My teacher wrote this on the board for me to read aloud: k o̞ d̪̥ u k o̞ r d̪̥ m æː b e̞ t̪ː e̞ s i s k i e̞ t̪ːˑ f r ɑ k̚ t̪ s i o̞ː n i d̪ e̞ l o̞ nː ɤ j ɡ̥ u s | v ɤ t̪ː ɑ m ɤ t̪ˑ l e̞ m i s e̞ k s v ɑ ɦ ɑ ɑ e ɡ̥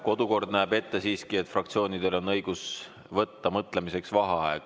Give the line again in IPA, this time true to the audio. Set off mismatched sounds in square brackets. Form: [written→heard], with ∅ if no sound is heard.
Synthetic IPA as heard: k o̞ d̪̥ u k o̞ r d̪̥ [m→n] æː b e̞ t̪ː e̞ s [i→iː] s k i e̞ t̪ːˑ f r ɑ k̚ t̪ s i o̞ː n i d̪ e̞ l o̞ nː ɤ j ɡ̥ u s | v ɤ t̪ː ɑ m ɤ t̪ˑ l e̞ m i s e̞ k s v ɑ ɦ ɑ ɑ e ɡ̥